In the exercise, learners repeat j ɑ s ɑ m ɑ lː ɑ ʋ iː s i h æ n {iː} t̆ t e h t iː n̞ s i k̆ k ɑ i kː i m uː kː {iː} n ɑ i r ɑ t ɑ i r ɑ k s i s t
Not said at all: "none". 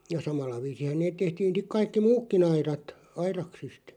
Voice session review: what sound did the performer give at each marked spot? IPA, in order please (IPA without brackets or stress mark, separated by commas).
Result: eː, i